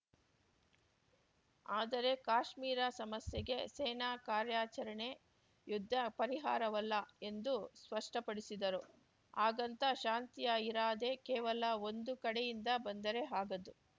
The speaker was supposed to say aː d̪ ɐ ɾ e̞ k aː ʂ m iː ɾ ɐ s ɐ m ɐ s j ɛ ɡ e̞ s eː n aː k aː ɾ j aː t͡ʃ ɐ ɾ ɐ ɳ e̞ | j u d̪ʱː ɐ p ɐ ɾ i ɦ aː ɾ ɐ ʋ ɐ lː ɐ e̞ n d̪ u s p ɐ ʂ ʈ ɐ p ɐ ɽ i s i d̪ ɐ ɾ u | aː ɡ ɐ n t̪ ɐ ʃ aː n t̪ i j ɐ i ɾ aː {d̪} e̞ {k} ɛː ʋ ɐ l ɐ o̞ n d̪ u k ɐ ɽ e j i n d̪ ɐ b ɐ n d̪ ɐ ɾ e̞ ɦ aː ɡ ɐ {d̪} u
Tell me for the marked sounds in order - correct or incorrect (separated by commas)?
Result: correct, correct, correct